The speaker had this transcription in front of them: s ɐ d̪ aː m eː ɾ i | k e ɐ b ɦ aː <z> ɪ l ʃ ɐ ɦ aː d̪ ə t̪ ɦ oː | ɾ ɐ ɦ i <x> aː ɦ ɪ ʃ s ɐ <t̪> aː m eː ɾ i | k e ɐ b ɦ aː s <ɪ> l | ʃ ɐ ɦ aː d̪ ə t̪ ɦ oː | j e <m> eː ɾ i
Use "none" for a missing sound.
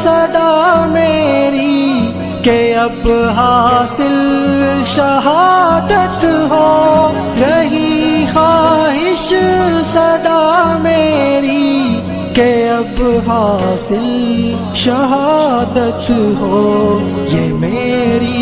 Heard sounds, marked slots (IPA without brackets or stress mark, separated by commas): s, x, d̪, ɪ, m